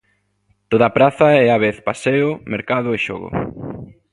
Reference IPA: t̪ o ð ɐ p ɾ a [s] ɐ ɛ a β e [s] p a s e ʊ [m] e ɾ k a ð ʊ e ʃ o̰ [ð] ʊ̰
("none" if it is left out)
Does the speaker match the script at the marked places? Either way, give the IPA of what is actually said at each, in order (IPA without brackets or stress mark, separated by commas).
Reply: θ, θ, m, ɣ